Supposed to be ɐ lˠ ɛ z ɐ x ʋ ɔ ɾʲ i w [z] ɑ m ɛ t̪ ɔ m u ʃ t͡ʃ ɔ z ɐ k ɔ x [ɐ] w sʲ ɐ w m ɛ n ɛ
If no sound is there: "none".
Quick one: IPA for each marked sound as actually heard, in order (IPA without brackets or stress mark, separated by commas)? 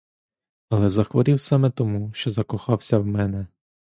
s, ɑ